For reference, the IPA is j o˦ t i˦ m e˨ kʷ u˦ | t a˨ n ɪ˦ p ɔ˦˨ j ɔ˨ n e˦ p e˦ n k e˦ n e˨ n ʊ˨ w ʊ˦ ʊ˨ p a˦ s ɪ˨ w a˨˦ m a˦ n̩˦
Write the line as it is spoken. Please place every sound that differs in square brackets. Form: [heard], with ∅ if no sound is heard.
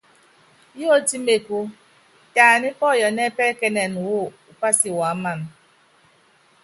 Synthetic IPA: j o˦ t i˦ m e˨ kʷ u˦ | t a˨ n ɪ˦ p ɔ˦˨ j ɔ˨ n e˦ p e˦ [∅] k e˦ n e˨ n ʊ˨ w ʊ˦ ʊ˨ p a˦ s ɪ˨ w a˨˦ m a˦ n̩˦